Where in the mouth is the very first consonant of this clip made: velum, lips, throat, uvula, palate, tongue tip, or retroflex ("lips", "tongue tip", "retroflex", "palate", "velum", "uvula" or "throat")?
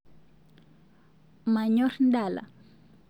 lips